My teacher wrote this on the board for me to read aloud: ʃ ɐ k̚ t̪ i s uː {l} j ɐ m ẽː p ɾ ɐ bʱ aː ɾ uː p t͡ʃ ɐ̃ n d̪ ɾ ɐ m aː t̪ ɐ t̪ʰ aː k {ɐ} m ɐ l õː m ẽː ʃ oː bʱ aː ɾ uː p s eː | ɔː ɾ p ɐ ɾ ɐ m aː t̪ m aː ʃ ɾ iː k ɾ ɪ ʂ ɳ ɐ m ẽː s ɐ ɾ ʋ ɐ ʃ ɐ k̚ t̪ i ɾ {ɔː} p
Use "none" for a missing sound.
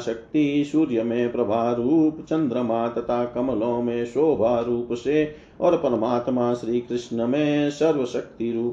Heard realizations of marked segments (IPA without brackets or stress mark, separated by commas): ɾ, ɐ, uː